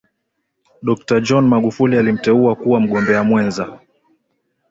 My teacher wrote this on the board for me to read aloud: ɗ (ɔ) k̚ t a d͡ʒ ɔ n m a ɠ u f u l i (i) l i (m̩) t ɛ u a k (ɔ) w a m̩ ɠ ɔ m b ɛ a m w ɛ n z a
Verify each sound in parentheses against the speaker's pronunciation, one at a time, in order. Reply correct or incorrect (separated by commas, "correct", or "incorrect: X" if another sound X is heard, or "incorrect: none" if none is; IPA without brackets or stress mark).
correct, incorrect: a, correct, incorrect: u